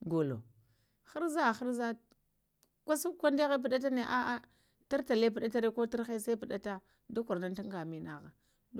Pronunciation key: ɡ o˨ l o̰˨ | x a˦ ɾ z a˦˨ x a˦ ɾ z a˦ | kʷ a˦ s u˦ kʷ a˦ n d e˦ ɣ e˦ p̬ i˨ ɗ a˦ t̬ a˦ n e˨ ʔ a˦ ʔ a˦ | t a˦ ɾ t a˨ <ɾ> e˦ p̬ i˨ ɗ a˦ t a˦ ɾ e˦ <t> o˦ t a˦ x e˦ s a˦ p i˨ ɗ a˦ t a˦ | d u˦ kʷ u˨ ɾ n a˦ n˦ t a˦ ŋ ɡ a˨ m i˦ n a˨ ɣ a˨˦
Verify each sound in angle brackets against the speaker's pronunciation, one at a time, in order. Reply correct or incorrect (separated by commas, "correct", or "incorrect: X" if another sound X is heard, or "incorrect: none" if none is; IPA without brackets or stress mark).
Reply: incorrect: l, incorrect: k